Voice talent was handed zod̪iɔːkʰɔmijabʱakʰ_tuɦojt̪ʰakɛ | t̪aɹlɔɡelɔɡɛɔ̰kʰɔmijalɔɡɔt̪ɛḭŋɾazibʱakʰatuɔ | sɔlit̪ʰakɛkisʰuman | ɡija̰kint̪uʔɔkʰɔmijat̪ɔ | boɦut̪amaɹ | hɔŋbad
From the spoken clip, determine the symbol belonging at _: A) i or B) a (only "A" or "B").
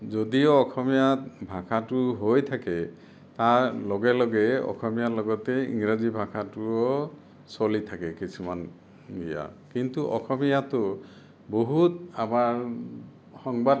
B